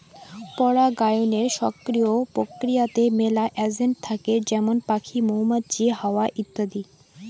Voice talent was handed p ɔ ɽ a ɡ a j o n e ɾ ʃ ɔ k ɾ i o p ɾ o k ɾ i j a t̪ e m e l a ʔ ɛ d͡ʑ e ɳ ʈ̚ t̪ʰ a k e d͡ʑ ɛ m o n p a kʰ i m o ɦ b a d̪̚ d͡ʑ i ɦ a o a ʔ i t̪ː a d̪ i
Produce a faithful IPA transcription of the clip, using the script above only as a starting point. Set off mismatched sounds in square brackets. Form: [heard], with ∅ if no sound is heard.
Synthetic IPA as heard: p ɔ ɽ a ɡ a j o n e ɾ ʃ ɔ k ɾ i o p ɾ o k ɾ i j a t̪ e m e l a ʔ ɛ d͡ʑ e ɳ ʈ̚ t̪ʰ a k e d͡ʑ ɛ m o n p a kʰ i m o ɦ [m] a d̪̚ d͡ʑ i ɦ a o a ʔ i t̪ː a d̪ i